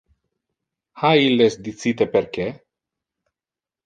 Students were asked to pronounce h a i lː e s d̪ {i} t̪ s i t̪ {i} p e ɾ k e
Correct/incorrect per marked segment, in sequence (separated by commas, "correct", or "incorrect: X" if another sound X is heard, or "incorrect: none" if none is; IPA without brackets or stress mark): correct, incorrect: e